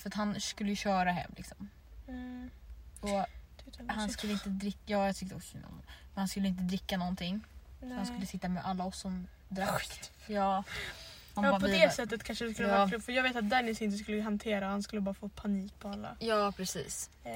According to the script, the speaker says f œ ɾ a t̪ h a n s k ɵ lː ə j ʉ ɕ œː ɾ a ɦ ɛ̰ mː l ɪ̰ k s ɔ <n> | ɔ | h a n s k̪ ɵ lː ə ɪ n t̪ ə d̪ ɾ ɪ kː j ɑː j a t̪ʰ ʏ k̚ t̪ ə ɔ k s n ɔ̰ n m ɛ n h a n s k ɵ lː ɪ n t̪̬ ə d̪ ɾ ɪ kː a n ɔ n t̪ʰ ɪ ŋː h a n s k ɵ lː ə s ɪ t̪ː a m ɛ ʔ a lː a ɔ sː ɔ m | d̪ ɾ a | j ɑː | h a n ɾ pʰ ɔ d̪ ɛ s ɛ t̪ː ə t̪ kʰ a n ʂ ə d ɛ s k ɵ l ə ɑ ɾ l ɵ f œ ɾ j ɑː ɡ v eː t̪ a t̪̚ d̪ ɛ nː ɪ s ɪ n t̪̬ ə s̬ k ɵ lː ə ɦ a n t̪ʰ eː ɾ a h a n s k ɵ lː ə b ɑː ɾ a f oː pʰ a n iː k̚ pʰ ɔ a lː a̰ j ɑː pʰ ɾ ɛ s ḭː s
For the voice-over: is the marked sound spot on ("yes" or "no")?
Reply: no